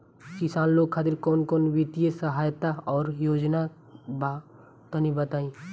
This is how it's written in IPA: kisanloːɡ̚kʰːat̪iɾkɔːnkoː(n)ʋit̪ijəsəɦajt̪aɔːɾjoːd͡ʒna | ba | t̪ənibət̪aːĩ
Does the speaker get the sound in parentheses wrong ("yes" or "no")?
no